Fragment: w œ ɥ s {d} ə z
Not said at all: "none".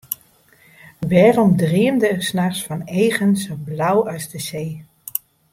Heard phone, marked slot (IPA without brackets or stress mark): d